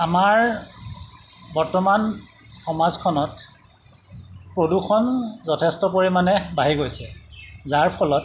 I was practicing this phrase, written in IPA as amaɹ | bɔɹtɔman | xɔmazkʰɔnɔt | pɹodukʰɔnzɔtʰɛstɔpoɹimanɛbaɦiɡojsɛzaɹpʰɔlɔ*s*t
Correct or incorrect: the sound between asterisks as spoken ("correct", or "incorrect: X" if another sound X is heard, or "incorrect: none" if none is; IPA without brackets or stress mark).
incorrect: none